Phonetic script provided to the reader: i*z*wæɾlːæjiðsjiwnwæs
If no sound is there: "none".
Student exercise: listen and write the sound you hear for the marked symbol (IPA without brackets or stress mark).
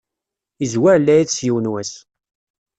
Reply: z